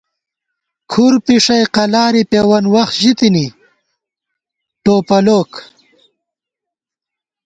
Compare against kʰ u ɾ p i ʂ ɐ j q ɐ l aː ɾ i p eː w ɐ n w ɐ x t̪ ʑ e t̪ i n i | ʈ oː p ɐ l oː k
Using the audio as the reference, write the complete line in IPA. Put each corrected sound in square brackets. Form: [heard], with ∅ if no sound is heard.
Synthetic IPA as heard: kʰ u ɾ p i ʂ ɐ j q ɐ l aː ɾ i p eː w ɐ n w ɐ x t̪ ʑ [i] t̪ i n i | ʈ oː p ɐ l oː k